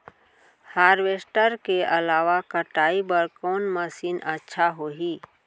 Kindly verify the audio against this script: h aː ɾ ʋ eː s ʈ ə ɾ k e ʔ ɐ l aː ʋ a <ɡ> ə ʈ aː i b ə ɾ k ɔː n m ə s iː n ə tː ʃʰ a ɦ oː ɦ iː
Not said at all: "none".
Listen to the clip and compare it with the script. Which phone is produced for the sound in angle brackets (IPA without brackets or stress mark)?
k